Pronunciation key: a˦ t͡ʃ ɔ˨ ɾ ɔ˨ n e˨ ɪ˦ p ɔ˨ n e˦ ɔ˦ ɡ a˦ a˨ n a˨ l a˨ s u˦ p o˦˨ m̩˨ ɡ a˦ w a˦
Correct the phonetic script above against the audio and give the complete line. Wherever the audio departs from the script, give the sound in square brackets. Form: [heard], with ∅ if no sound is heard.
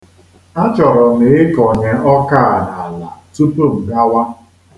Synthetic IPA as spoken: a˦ t͡ʃ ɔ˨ ɾ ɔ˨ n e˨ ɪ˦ [k] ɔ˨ [ɲ] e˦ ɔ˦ [k] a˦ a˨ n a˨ l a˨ [t] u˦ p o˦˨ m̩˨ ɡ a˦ w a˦